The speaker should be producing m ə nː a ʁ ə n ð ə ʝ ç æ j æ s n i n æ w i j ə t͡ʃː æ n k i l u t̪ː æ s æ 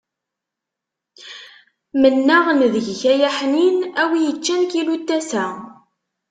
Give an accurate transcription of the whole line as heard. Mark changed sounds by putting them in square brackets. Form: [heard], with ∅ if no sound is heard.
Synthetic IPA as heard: m ə nː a ʁ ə n ð ə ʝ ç æ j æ [ħ] n i n æ w i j ə t͡ʃː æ n k i l u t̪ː æ s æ